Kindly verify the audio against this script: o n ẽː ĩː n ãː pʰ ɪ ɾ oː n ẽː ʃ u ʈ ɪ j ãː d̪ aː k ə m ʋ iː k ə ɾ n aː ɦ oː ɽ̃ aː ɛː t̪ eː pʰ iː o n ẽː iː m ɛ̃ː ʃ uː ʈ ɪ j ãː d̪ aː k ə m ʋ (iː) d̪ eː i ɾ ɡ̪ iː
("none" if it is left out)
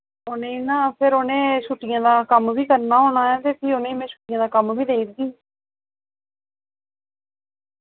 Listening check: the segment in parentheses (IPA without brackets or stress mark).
iː